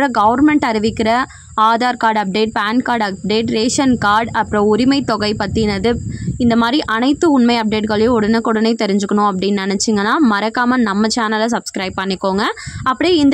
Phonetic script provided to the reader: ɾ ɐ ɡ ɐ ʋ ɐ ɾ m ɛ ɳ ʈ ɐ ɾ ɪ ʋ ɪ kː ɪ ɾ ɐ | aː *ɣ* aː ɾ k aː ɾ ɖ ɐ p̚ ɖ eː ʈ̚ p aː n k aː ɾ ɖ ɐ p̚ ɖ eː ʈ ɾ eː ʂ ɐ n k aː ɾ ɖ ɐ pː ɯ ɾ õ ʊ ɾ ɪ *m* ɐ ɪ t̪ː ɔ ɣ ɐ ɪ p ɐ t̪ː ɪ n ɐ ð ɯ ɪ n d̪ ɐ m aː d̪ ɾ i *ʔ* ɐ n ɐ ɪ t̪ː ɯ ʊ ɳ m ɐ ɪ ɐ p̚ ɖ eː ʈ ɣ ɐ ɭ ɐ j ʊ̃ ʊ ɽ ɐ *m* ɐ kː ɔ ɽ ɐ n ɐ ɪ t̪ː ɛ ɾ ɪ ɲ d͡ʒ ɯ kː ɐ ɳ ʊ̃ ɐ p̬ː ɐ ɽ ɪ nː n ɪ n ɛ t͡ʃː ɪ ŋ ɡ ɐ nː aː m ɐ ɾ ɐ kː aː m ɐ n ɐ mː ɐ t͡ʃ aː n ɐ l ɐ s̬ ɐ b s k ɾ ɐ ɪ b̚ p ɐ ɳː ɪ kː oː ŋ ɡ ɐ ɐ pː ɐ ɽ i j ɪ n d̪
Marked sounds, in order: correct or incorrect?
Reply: incorrect, correct, correct, incorrect

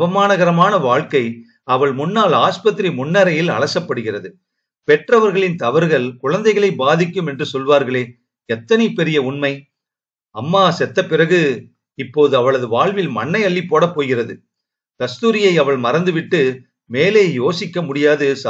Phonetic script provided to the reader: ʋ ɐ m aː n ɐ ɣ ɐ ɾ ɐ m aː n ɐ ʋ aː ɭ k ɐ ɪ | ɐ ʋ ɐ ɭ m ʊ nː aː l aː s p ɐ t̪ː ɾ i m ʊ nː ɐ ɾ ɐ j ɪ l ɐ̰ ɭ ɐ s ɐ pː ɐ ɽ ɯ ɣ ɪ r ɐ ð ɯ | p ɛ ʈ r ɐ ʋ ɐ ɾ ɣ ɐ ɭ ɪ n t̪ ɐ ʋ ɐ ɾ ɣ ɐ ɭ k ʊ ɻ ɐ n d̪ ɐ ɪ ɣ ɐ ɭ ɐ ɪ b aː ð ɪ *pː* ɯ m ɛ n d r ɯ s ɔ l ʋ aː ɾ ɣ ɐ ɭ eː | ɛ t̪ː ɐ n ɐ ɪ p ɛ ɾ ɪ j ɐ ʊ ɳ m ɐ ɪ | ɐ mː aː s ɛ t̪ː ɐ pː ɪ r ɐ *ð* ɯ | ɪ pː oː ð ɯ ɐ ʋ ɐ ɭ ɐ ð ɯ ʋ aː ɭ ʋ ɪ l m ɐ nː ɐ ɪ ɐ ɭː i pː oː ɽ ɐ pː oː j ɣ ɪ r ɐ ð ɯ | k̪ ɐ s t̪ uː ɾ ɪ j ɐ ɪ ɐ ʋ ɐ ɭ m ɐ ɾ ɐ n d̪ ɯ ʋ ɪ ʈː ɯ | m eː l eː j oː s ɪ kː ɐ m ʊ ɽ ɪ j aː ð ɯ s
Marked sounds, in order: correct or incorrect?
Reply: incorrect, incorrect

